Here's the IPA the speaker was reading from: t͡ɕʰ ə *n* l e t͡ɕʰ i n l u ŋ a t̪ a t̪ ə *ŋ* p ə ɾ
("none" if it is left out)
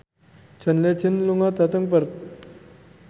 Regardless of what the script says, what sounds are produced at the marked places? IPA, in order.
n, ŋ

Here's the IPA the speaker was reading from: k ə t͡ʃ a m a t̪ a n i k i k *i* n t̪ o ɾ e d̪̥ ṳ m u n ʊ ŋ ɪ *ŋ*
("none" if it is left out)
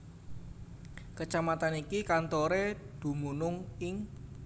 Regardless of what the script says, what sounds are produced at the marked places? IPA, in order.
a, ŋ

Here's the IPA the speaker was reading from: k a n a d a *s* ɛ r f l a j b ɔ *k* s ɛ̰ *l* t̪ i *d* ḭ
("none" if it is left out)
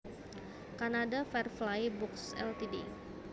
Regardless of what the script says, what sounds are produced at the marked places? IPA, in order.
f, k, l, d

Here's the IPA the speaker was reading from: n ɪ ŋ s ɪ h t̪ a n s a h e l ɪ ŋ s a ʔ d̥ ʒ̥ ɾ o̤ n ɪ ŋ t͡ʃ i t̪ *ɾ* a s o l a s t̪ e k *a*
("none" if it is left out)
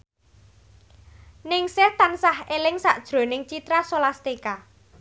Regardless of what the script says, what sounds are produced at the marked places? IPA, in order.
ɾ, a

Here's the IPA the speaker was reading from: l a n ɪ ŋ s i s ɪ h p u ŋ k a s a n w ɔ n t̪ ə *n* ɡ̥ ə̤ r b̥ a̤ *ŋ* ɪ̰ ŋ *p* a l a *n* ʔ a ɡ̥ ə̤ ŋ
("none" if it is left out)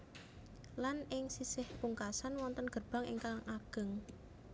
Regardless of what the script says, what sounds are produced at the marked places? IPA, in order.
n, ŋ, k, ŋ

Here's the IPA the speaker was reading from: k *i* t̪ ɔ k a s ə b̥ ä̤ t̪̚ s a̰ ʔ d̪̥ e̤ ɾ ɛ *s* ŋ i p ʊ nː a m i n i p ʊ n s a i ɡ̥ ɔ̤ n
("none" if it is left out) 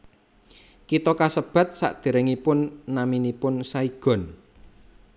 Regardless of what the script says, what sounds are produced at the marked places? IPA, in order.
i, none

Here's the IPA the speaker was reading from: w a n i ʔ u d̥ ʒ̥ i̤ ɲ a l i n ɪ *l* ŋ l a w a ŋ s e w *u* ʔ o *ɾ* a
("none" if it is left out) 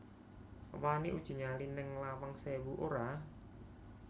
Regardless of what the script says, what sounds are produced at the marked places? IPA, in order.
none, u, ɾ

